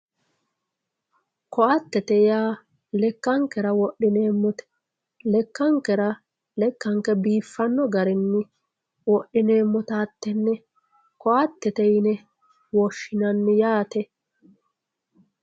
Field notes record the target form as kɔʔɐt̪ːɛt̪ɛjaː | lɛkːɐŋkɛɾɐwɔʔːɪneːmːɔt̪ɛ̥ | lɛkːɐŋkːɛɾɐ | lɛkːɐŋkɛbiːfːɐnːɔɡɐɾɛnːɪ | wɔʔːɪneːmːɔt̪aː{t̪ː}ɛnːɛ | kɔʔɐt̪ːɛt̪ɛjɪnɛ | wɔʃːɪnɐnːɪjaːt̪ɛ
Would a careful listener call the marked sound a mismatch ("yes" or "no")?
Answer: no